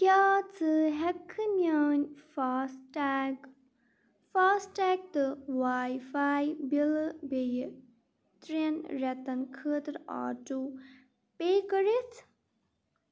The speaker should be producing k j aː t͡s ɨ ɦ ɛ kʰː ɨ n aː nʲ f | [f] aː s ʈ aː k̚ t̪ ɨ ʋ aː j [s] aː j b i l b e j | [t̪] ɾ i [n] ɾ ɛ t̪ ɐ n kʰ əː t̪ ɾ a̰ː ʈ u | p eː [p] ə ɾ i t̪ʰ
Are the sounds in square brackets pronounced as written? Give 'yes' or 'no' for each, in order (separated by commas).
yes, no, yes, yes, no